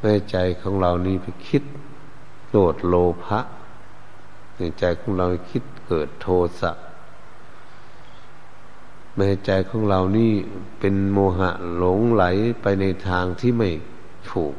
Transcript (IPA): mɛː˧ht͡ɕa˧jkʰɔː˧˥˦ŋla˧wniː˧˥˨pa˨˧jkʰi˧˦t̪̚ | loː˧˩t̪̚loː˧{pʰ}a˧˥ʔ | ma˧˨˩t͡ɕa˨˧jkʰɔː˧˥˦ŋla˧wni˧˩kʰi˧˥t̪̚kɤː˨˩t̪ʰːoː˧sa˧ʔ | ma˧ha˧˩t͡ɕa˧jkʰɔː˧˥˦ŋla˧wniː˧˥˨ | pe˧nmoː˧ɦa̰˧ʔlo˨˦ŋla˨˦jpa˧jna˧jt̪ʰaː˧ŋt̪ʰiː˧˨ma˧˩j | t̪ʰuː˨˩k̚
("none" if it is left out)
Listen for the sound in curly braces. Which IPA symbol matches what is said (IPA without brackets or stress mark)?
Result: pʰ